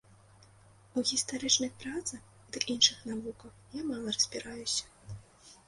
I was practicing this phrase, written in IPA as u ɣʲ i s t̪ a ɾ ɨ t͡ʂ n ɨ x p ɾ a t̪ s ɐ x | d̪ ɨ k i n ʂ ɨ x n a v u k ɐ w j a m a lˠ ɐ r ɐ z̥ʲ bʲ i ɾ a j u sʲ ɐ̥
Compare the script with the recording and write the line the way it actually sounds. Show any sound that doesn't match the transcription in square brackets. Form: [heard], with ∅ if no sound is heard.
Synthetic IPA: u ɣʲ i s t̪ a ɾ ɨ t͡ʂ n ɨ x p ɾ a t̪ s ɐ x | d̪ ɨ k i n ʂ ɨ x n a v u k ɐ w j a m a lˠ ɐ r ɐ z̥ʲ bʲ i ɾ a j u sʲ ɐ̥